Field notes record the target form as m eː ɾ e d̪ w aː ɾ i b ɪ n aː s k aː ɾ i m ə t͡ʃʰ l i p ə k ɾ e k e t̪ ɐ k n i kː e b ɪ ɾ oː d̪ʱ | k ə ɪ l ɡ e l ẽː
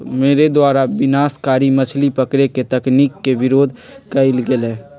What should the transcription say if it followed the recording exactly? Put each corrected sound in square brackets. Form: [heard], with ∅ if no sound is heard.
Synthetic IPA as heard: m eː ɾ e d̪ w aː ɾ [a] b ɪ n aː s k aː ɾ i m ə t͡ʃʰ l i p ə k ɾ e k e t̪ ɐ k n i kː e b ɪ ɾ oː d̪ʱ | k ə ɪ l ɡ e l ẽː